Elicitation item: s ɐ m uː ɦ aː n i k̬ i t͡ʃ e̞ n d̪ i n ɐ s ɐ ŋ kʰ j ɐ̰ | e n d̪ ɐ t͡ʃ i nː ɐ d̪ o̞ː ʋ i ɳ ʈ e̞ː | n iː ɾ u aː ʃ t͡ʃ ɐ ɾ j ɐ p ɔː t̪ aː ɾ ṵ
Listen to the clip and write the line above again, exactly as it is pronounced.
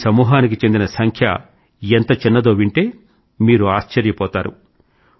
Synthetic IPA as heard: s ɐ m uː ɦ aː n i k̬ i t͡ʃ e̞ n d̪ i n ɐ s ɐ ŋ kʰ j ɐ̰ | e n t̪ ɐ t͡ʃ i nː ɐ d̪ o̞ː ʋ i ɳ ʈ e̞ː | m iː ɾ u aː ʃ t͡ʃ ɐ ɾ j ɐ p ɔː t̪ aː ɾ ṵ